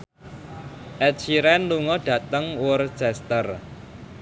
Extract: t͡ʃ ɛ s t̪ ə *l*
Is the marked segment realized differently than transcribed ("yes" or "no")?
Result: yes